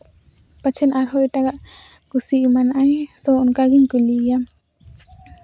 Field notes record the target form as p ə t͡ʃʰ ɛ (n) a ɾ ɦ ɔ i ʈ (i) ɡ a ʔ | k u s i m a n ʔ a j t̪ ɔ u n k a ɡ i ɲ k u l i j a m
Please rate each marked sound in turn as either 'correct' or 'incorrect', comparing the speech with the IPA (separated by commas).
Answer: correct, incorrect